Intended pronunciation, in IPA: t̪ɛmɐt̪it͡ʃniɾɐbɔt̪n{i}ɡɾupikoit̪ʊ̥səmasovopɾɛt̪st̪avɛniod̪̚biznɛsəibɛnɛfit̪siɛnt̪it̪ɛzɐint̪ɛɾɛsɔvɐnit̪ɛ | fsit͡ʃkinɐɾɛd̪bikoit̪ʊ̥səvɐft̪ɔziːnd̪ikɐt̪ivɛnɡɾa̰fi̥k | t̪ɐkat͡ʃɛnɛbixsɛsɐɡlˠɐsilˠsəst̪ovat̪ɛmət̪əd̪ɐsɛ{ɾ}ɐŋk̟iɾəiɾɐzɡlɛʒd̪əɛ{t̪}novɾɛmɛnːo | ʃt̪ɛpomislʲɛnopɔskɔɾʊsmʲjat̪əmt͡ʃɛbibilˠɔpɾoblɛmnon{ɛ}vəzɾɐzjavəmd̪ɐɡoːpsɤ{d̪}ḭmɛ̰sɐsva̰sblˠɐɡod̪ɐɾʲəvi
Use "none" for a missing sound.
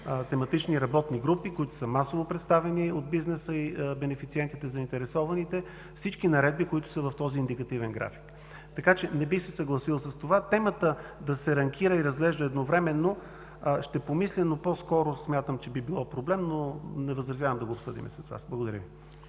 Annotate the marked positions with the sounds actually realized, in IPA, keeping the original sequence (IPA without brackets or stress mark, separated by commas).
i, ɾ, d̪, ɛ, d̪